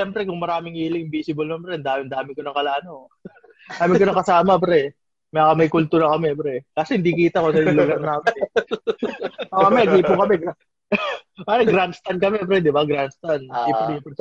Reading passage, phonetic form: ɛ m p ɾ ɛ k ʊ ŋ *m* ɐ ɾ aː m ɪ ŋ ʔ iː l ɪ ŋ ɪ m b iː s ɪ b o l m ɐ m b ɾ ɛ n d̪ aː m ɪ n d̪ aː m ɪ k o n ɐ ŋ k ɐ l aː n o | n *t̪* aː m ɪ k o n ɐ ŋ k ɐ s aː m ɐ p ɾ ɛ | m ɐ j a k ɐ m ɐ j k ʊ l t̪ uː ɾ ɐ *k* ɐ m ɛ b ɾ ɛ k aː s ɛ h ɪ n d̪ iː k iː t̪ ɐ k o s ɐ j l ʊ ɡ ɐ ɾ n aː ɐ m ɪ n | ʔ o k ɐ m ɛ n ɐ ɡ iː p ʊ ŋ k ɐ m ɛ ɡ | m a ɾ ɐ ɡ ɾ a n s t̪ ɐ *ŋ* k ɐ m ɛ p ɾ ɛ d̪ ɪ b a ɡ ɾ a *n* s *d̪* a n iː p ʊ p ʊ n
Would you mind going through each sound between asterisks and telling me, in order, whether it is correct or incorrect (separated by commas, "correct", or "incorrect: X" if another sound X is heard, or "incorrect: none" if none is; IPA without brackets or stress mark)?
correct, incorrect: d̪, correct, incorrect: n, correct, incorrect: t̪